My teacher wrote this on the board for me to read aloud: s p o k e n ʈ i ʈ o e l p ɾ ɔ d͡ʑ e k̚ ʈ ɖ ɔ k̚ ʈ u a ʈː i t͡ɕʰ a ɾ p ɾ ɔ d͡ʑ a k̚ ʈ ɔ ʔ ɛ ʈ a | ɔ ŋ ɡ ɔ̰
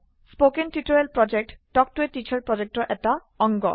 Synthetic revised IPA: s p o k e n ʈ i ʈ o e l p ɾ ɔ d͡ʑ e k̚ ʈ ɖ ɔ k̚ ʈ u e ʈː i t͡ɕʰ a ɾ p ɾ ɔ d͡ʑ e k̚ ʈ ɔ ʔ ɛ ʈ a | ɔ ŋ ɡ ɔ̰